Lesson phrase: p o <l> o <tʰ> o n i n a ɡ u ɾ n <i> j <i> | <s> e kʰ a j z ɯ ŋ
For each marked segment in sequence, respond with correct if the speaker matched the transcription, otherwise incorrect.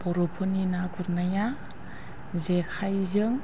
incorrect: ɾ, incorrect: pʰ, incorrect: a, incorrect: a, incorrect: z

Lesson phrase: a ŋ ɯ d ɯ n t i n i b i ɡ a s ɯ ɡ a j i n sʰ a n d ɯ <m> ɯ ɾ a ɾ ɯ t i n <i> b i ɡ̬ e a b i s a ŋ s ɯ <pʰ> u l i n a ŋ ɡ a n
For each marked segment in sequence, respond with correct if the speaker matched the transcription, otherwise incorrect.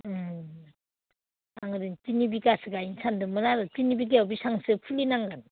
correct, correct, correct

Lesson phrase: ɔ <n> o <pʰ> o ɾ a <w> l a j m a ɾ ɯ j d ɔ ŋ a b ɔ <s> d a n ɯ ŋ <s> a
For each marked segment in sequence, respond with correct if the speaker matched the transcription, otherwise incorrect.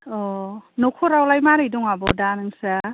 correct, incorrect: kʰ, correct, incorrect: none, correct

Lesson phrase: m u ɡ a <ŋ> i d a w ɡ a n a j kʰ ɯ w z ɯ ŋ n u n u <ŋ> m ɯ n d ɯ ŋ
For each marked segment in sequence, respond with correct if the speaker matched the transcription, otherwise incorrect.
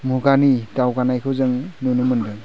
incorrect: n, incorrect: none

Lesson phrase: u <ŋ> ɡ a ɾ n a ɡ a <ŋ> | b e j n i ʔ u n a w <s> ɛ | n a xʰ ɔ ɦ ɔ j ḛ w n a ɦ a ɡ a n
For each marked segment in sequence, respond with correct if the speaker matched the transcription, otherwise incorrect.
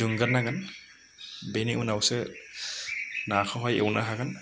correct, incorrect: n, correct

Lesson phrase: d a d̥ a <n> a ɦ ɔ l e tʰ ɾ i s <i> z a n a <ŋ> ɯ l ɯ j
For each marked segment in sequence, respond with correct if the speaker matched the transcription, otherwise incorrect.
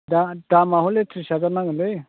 incorrect: m, incorrect: a, correct

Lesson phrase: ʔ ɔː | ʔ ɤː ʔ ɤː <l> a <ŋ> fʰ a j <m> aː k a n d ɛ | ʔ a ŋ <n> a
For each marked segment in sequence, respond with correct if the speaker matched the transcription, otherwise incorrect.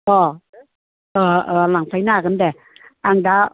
correct, correct, incorrect: n, incorrect: d

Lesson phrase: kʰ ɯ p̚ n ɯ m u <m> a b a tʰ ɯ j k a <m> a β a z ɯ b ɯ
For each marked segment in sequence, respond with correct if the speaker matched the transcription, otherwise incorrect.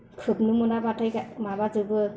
incorrect: n, correct

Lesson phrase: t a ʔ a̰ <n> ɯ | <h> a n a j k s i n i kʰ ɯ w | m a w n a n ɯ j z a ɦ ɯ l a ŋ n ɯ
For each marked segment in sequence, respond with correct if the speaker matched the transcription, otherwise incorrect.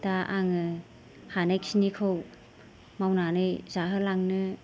incorrect: ŋ, correct

